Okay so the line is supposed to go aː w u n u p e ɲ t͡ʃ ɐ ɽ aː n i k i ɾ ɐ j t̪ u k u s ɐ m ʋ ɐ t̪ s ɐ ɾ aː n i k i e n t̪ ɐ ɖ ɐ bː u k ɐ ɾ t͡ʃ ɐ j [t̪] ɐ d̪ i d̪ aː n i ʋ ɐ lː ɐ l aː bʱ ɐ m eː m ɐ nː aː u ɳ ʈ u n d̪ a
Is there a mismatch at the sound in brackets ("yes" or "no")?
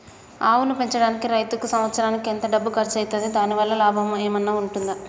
no